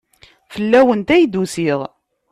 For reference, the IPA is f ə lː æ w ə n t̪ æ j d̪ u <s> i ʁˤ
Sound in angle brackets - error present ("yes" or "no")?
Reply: no